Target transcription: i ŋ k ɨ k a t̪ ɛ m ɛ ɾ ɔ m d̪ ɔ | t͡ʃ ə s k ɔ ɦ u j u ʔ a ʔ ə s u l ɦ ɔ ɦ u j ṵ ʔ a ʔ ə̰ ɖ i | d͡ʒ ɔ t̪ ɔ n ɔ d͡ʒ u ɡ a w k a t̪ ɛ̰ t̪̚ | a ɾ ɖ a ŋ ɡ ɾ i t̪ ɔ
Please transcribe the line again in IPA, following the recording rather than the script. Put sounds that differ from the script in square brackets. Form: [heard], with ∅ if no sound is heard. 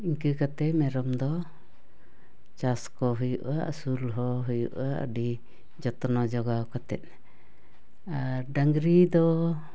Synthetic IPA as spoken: i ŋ k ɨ k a t̪ ɛ m ɛ ɾ ɔ m d̪ ɔ | t͡ʃ [a] s k ɔ ɦ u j u ʔ a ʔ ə s u l ɦ ɔ ɦ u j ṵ ʔ a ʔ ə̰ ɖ i | d͡ʒ ɔ t̪ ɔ n ɔ d͡ʒ [ɔ] ɡ a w k a t̪ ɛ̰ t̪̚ | a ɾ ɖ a ŋ ɡ ɾ i [d̪] ɔ